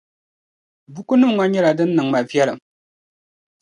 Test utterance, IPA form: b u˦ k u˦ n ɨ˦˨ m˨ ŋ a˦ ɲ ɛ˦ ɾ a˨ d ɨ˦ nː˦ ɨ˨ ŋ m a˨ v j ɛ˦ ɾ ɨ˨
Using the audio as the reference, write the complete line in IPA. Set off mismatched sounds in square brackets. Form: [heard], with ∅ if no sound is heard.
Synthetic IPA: b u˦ k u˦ n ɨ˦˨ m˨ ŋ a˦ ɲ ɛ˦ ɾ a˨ d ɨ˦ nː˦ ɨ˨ ŋ m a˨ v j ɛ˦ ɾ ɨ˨